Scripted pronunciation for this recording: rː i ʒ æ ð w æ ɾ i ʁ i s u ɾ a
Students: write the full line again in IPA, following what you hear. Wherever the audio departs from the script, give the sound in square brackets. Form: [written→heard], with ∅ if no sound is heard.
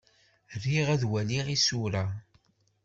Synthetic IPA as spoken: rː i [ʒ→ʁ] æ ð w æ [ɾ→l] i ʁ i s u ɾ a